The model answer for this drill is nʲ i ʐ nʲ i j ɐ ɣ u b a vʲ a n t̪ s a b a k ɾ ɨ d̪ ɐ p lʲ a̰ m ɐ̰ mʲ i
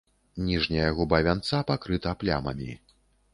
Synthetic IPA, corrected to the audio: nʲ i ʐ nʲ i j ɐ ɣ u b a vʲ a n t̪ s a p a k ɾ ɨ t̪ ɐ p lʲ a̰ m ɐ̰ mʲ i